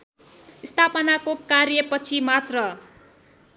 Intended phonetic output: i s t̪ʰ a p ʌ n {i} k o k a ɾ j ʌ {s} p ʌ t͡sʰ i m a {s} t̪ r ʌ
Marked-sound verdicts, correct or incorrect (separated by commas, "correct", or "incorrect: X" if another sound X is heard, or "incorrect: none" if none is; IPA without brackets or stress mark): incorrect: a, incorrect: none, incorrect: none